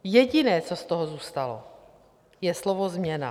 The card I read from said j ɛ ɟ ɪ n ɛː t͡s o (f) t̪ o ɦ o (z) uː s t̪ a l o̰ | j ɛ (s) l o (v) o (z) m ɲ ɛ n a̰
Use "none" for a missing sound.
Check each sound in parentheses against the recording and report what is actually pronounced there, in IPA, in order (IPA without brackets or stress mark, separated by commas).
s, z, s, v, z